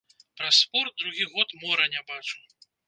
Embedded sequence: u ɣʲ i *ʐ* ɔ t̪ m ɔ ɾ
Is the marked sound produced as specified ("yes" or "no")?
no